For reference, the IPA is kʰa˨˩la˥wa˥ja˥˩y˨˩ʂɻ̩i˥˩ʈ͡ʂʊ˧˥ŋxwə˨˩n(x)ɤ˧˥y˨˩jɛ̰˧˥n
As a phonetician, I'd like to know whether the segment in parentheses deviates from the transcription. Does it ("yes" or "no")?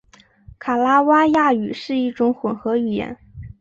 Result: no